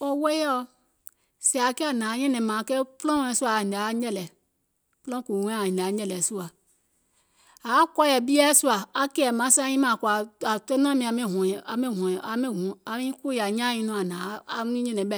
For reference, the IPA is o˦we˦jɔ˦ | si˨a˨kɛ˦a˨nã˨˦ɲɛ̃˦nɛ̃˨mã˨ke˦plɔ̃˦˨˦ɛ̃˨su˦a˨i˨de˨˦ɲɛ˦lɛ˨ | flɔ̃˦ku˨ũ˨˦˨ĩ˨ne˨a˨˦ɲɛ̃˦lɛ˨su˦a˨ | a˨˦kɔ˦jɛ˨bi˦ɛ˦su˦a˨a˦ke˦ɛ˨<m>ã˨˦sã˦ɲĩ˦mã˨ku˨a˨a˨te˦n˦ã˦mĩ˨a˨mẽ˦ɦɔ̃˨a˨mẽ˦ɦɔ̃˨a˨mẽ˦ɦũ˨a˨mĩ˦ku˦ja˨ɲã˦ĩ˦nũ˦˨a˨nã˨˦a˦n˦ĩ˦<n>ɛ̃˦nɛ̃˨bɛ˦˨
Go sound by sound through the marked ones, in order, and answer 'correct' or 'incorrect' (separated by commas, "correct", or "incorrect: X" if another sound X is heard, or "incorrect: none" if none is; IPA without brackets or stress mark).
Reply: correct, incorrect: ɲ